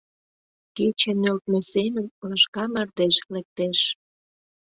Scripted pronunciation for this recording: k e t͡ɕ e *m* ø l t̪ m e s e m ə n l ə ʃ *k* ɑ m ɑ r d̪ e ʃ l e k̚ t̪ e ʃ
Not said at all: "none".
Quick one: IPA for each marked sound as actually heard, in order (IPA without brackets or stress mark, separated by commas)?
n, k